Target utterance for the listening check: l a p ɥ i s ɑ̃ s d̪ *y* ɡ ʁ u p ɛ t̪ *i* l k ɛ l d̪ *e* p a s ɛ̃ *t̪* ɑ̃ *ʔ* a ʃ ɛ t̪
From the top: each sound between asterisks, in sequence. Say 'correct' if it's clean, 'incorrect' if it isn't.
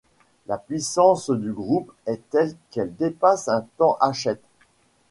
correct, incorrect: ɛ, correct, correct, correct

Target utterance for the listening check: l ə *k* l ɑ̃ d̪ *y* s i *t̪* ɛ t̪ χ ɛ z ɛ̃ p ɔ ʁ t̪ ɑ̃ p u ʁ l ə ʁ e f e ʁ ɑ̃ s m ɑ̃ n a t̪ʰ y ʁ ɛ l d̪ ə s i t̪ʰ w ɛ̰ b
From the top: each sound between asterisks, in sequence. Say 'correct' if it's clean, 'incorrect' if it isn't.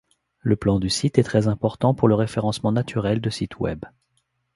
incorrect: p, correct, correct

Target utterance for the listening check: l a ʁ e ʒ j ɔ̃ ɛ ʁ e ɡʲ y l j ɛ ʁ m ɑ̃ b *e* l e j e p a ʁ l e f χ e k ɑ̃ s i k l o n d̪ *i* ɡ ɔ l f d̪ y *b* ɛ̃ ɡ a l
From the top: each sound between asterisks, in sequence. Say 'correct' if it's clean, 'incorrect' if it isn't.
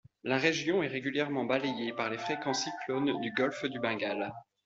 incorrect: a, incorrect: y, correct

